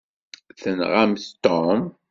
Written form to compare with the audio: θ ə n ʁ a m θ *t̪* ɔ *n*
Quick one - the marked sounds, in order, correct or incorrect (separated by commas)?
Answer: correct, incorrect